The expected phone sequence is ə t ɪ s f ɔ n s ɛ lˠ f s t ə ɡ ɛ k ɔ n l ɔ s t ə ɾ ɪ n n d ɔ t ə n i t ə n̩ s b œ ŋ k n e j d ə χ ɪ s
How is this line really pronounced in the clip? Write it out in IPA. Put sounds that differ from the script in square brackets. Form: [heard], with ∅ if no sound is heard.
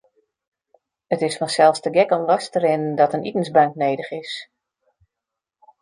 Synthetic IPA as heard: ə t ɪ s f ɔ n s ɛ lˠ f s t ə ɡ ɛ k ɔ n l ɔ s t ə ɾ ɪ n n d ɔ t ə n i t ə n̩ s b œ ŋ k n e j d ə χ ɪ s